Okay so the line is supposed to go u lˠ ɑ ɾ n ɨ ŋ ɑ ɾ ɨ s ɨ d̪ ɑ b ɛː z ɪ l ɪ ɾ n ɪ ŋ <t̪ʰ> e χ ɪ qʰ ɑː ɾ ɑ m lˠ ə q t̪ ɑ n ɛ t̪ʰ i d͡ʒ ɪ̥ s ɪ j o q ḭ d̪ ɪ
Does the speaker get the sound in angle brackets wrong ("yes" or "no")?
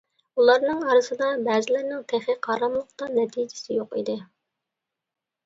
no